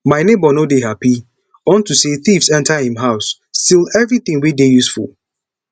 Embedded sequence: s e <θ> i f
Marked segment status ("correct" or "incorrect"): correct